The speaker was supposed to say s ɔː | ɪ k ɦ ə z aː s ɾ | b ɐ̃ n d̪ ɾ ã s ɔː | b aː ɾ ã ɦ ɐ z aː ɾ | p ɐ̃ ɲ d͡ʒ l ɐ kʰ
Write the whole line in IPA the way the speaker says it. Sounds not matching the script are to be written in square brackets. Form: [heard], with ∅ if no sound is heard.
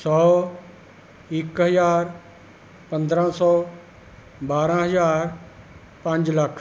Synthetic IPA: s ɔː | ɪ k ɦ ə z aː [∅] ɾ | [p] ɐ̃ n d̪ ɾ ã s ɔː | b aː ɾ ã ɦ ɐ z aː ɾ | p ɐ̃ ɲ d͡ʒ l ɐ kʰ